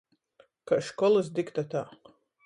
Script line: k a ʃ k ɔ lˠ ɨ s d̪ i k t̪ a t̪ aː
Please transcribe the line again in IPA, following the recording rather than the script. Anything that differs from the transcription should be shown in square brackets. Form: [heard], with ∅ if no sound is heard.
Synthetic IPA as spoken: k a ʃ k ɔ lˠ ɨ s d̪ i k t̪ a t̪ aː